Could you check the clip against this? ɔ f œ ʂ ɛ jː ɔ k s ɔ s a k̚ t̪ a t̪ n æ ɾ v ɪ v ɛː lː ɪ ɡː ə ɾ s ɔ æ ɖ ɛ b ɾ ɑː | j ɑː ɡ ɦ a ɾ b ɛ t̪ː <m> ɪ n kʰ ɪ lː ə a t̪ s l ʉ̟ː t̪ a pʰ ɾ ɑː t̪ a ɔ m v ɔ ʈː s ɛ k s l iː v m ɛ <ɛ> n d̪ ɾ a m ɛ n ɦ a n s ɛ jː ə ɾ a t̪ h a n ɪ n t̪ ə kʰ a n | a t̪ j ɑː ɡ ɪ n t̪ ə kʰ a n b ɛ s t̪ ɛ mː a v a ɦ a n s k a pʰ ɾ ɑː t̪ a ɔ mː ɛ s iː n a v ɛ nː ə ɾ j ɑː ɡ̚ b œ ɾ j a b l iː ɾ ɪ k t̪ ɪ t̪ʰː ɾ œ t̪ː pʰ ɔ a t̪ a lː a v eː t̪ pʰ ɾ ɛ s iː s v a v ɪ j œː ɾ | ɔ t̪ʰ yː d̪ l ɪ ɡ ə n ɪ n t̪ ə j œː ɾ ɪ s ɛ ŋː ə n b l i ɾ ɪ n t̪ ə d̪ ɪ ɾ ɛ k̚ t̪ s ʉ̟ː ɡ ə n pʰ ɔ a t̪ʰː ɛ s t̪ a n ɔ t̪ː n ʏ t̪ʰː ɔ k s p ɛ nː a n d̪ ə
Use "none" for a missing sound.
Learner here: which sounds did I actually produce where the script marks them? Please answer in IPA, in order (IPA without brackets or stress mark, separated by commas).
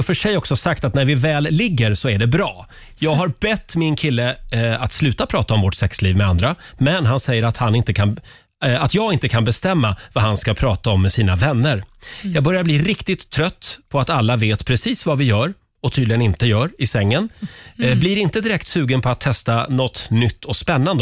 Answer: m, a